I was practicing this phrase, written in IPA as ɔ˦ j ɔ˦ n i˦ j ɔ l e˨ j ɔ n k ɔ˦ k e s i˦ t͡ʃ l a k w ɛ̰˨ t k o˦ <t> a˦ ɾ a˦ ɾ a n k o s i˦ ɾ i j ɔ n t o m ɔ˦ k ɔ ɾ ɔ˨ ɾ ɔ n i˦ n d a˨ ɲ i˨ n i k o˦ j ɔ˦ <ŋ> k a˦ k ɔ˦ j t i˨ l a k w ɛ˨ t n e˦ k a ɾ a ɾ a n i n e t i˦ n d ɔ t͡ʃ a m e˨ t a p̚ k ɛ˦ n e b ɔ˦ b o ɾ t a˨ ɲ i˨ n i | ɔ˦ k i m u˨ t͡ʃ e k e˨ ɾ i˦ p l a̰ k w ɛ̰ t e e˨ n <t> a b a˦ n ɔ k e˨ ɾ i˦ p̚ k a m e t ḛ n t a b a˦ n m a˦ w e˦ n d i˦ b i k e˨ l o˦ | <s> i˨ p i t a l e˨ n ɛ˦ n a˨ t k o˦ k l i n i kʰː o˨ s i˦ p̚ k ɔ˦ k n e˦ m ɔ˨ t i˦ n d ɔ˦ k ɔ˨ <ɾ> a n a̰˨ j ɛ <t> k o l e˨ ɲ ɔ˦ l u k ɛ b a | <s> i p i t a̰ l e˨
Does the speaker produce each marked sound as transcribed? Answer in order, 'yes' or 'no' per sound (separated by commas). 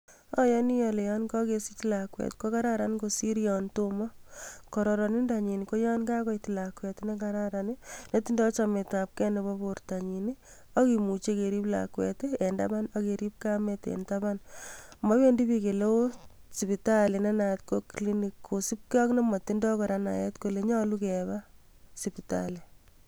no, no, no, yes, yes, yes, yes